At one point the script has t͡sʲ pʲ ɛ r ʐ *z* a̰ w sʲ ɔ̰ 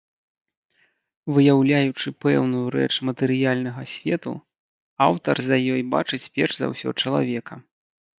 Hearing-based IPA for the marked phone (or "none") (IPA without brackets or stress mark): z